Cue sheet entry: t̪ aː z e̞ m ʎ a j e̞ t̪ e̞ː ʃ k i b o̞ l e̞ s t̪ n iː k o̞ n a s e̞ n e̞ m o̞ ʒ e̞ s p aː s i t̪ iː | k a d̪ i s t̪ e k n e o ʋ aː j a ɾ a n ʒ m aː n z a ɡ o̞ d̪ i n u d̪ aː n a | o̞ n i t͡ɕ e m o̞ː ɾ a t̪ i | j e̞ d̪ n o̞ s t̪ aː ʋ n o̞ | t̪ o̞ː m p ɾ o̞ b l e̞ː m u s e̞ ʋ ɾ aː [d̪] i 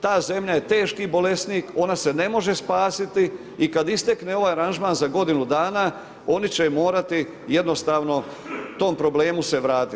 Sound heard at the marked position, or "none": t̪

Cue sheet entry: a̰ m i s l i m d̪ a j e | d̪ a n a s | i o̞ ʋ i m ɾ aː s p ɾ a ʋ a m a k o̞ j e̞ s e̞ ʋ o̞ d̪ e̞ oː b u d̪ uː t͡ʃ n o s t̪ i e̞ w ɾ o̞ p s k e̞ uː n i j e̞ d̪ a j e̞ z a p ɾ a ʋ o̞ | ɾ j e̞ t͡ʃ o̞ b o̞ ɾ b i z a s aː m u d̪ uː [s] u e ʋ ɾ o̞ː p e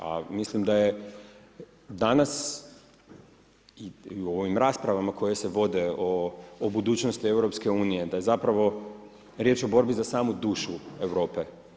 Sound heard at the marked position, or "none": ʃ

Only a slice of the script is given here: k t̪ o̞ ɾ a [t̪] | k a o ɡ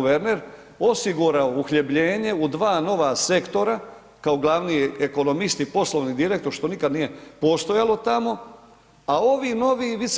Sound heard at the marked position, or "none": none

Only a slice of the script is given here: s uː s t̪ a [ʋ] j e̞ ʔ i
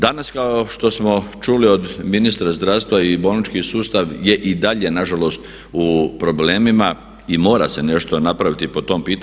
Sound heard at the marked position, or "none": ʋ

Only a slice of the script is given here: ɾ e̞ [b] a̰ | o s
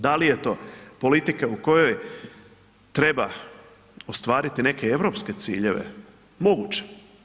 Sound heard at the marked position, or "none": b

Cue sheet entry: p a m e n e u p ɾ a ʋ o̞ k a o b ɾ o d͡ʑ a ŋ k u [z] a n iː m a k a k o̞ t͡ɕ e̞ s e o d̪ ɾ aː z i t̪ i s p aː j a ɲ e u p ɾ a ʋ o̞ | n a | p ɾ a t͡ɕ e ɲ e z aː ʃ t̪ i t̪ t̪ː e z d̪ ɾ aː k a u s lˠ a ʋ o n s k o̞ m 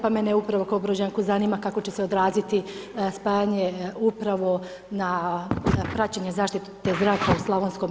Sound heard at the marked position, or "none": z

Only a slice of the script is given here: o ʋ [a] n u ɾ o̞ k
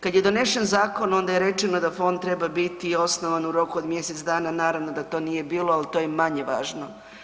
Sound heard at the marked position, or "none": a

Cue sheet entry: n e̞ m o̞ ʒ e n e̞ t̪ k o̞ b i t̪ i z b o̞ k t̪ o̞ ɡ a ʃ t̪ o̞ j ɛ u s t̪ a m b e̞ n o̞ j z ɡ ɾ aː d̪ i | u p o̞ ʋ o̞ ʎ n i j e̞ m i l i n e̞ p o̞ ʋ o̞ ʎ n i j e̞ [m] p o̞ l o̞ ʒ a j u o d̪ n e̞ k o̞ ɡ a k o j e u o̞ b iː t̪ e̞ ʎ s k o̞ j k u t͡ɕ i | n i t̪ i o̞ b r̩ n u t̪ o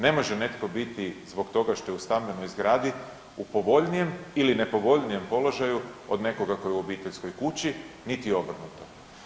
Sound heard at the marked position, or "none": m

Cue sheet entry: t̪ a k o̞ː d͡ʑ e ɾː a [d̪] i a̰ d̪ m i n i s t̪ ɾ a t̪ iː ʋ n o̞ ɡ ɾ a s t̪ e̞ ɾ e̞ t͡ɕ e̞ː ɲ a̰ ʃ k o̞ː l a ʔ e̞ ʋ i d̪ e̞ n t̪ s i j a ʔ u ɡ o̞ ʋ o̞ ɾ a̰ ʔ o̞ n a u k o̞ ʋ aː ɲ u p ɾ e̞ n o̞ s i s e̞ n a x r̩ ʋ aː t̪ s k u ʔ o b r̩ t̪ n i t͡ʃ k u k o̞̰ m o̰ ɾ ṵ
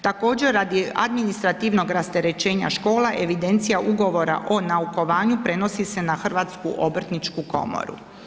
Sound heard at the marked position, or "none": d̪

